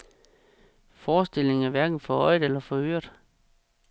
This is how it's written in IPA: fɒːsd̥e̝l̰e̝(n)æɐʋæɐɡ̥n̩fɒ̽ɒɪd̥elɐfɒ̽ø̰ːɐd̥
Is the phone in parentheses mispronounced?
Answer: yes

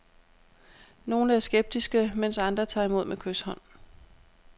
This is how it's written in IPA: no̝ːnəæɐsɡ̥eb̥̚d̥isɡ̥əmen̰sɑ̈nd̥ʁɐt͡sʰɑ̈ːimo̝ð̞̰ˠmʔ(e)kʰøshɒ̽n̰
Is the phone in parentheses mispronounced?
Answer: no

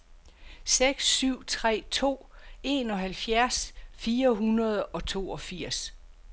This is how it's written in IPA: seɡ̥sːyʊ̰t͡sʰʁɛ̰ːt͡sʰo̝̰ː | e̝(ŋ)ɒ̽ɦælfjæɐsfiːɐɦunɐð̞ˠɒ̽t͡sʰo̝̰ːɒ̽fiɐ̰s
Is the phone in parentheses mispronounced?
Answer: yes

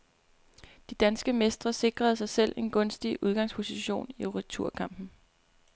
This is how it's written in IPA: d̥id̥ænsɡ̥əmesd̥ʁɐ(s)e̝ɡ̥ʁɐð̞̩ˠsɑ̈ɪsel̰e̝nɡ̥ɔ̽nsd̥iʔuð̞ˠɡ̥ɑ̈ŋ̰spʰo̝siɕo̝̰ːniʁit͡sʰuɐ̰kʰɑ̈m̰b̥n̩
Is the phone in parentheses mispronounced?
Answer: no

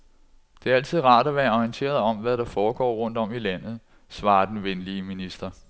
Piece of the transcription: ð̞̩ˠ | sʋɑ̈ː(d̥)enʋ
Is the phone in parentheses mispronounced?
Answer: no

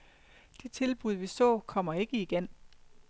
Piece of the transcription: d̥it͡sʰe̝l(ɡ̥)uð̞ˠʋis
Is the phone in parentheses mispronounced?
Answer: yes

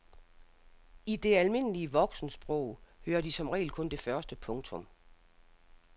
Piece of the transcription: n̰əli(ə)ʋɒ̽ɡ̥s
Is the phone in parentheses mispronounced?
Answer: no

